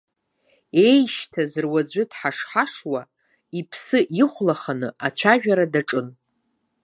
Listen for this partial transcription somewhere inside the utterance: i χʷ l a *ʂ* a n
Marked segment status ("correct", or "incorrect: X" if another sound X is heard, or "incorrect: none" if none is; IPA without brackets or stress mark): incorrect: χ